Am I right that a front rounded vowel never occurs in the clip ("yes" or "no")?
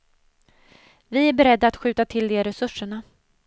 yes